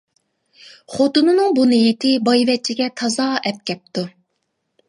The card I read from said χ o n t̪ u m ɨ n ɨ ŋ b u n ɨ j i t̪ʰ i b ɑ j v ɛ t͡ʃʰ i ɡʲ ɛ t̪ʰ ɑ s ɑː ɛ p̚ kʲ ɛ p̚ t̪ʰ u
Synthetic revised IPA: χ o t̪ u n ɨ n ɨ ŋ b u n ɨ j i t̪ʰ ɪ b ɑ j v ɛ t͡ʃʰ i ɡʲ ɛ t̪ʰ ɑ z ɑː ɛ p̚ kʲ ɛ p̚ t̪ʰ u